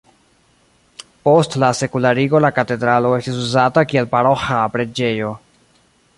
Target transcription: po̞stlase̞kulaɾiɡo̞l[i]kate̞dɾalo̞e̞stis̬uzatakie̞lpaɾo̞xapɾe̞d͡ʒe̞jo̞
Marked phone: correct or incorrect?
incorrect